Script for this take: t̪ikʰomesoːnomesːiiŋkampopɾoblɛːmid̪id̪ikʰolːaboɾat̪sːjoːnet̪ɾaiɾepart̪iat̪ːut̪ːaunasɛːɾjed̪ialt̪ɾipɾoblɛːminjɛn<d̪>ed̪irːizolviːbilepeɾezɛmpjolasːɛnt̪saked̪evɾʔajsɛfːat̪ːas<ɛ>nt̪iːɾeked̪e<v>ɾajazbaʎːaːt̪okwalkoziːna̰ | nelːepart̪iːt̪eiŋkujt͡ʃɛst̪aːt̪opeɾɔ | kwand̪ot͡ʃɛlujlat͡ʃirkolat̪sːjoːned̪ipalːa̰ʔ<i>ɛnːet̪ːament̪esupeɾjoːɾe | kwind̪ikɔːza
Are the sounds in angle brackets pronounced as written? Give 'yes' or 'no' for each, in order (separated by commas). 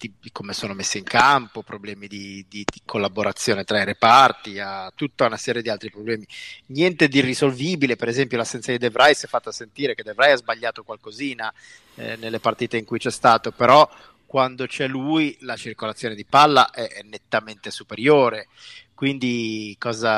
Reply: no, no, yes, no